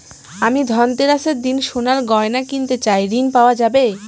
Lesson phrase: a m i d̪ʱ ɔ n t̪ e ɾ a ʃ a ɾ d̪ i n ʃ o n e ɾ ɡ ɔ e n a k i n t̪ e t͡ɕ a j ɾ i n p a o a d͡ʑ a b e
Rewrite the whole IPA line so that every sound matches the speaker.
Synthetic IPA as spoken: a m i d̪ʱ ɔ n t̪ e ɾ a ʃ e ɾ d̪ i n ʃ o n a ɾ ɡ ɔ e n a k i n t̪ e t͡ɕ a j ɾ i n p a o a d͡ʑ a b e